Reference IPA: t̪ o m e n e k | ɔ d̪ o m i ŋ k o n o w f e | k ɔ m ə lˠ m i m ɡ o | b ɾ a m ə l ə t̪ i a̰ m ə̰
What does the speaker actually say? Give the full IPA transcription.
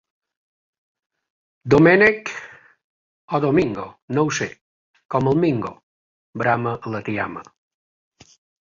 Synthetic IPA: d̪ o m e n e k | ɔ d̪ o m i ŋ ɡ o n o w s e | k ɔ m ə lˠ m i ŋ ɡ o | b ɾ a m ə l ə t̪ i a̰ m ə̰